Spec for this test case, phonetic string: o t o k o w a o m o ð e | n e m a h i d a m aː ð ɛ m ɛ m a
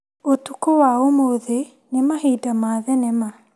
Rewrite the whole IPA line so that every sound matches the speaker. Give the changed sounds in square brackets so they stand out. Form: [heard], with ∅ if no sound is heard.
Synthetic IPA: o t [u] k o w a o m o ð e | n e m a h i d a m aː ð ɛ [n] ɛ m a